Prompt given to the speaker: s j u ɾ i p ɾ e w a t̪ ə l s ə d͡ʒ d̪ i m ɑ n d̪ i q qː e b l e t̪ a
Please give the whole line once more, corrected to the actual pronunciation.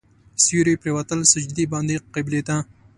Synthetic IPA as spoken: s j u ɾ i p ɾ e w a t̪ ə l s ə d͡ʒ d̪ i b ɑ n d̪ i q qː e b l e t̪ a